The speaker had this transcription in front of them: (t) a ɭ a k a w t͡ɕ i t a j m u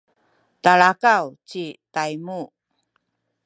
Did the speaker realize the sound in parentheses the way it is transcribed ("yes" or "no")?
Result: yes